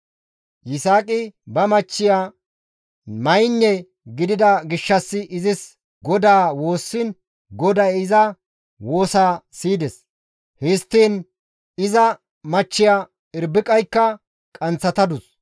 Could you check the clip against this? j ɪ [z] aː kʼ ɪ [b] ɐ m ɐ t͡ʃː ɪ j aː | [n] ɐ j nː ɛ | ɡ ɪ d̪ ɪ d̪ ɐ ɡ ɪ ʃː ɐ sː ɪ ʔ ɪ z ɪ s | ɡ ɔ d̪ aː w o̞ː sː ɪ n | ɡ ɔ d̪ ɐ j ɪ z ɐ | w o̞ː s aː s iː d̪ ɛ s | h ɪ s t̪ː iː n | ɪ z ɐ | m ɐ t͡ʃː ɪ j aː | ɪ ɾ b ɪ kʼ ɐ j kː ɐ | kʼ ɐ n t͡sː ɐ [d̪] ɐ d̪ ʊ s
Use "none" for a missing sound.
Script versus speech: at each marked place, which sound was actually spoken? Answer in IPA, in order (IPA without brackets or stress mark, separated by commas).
s, b, m, t̪